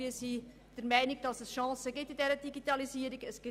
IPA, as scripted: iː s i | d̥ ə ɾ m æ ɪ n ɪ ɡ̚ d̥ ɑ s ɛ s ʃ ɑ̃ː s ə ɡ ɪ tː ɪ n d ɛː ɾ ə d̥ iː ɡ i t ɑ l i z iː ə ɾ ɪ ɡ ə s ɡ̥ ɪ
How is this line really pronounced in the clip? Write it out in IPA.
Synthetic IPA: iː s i | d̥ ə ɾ m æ ɪ n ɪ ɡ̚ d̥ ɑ s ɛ s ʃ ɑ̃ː s ə ɡ ɪ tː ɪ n d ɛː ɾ ə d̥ i ɡ i t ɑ l i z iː ə ɾ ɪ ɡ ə s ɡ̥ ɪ